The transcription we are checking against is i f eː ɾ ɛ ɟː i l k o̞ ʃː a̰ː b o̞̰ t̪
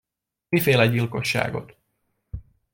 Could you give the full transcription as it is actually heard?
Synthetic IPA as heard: i f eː l ɛ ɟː i l k o̞ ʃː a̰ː ɡ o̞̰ t̪

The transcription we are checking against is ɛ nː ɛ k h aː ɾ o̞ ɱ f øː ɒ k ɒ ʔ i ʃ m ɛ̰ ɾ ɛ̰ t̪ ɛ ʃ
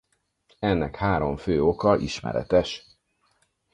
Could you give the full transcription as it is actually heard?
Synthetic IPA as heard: ɛ nː ɛ k h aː ɾ o̞ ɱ f øː o k ɒ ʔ i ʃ m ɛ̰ ɾ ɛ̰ t̪ ɛ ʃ

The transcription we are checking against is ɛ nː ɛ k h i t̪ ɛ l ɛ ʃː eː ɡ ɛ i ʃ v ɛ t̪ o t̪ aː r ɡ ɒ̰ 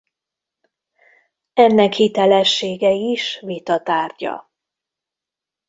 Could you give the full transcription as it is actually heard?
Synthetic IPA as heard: ɛ nː ɛ k h i t̪ ɛ l ɛ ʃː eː ɡ ɛ i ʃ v i t̪ ɒ t̪ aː r ɟ ɒ̰

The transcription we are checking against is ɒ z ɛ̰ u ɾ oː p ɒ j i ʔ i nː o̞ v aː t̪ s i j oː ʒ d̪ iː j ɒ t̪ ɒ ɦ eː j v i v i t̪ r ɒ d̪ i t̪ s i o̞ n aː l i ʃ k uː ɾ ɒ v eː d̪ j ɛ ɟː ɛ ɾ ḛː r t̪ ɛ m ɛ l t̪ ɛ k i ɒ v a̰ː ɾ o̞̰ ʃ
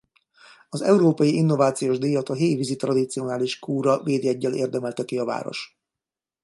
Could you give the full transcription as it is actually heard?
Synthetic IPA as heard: ɒ z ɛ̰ u ɾ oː p ɒ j i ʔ i nː o̞ v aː t̪ s i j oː ʒ d̪ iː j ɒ t̪ ɒ ɦ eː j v i z i t̪ r ɒ d̪ i t̪ s i o̞ n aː l i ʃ k uː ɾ ɒ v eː d̪ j ɛ ɟː ɛ l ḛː r d̪ ɛ m ɛ l t̪ ɛ k i ɒ v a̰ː ɾ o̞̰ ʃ

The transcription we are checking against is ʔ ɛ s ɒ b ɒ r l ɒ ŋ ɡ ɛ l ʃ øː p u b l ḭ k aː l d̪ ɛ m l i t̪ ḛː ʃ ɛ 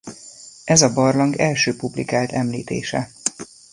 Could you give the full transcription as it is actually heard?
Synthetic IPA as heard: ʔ ɛ z ɒ b ɒ r l ɒ ŋ ɡ ɛ l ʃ øː p u b l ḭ k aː l t̪ ɛ m l iː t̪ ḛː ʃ ɛ

